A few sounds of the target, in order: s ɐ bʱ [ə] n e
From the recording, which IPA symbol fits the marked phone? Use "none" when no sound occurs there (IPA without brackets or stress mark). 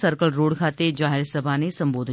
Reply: a